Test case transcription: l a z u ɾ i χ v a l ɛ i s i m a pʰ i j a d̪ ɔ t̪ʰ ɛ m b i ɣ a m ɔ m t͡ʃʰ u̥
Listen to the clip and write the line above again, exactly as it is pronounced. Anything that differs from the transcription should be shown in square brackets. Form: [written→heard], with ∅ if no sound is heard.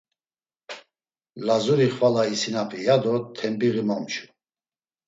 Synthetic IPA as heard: l a z u ɾ i χ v a l [ɛ→a] i s i [m→n] a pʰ i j a d̪ ɔ t̪ʰ ɛ m b i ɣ [a→i] m ɔ m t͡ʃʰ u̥